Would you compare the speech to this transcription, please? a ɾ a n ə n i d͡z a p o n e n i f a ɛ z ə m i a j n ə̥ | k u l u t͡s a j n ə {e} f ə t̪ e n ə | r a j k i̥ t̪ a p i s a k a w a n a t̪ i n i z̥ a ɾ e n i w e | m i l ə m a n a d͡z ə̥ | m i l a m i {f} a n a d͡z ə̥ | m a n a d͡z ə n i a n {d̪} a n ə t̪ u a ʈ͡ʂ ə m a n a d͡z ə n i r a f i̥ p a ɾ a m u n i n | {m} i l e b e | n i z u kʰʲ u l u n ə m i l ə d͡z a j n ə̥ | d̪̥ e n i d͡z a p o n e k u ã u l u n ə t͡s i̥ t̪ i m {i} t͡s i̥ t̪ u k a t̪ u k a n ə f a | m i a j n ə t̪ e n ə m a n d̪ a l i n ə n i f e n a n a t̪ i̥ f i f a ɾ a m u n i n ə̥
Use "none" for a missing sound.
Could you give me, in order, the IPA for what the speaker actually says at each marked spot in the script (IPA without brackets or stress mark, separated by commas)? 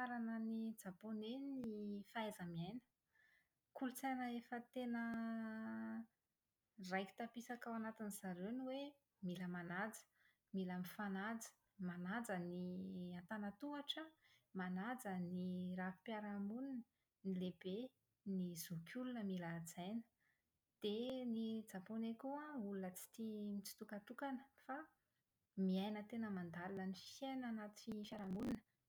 e, f, t̪, n, i